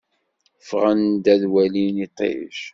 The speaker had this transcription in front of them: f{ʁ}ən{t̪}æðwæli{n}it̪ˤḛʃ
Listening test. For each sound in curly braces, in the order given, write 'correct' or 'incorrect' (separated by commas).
correct, incorrect, correct